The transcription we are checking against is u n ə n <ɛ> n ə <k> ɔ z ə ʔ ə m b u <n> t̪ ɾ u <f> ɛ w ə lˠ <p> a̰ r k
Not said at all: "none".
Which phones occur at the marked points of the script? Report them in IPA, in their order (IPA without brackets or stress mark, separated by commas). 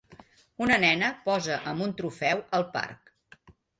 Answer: ɛ, p, n, f, p